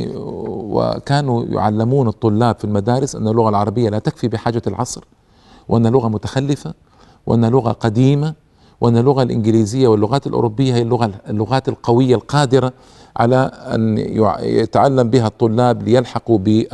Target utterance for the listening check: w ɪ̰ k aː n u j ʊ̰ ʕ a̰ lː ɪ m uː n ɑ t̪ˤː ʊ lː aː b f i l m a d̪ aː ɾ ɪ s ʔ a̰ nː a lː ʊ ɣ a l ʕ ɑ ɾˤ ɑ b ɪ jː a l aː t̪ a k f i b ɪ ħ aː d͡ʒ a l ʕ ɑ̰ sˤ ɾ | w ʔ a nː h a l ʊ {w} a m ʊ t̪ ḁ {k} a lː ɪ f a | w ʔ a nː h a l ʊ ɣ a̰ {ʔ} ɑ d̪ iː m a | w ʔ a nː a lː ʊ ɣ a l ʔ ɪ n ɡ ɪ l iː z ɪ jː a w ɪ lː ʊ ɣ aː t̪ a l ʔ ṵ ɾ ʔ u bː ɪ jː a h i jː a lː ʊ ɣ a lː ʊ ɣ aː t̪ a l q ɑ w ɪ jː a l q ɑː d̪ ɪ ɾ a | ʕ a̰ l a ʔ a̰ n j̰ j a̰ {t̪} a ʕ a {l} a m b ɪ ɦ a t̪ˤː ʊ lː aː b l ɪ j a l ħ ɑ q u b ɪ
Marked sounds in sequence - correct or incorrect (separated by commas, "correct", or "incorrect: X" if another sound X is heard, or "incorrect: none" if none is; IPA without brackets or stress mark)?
incorrect: ɣ, incorrect: x, incorrect: q, correct, incorrect: lː